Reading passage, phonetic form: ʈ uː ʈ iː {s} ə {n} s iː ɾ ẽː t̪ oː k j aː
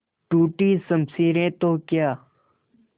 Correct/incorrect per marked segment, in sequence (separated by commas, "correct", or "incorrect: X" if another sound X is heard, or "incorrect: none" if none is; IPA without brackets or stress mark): correct, incorrect: m